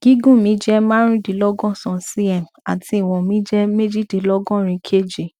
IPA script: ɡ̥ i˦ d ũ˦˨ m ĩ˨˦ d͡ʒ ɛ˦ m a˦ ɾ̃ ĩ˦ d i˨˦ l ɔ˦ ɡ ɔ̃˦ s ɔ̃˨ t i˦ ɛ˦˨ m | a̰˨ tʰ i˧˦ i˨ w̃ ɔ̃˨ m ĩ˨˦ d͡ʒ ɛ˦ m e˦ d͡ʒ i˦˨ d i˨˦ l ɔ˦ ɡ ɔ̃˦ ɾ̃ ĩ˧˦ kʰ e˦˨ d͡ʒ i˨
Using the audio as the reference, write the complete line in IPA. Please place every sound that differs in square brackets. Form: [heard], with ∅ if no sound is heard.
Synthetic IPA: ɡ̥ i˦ [ɡ] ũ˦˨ m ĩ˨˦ d͡ʒ ɛ˦ m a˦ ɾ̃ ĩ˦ d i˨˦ l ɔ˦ ɡ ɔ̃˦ s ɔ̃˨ [s] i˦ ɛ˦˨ m | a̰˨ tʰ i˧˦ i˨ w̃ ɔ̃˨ m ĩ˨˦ d͡ʒ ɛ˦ m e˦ d͡ʒ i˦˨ d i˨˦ l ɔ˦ ɡ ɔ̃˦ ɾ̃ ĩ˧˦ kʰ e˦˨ d͡ʒ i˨